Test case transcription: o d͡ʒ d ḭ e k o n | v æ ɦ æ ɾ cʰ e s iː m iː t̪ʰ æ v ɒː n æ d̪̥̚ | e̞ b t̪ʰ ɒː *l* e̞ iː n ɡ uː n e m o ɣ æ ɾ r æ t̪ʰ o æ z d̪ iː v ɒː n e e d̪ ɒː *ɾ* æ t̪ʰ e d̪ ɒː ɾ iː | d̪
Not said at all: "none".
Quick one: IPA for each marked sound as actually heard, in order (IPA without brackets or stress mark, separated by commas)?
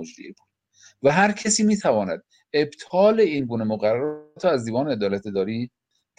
l, l